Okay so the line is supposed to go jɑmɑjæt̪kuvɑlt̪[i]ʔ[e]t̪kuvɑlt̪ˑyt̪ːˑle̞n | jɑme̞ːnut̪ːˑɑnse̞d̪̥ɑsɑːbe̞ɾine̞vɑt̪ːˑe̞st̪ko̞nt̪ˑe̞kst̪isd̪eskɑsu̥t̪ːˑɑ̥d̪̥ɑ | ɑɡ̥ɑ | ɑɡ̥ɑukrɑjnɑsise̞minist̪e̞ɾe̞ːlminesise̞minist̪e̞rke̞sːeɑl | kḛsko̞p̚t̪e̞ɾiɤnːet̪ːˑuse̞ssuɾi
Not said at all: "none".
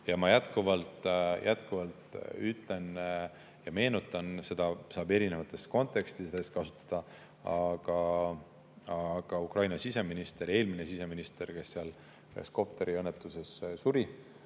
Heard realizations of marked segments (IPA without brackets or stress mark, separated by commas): j, æ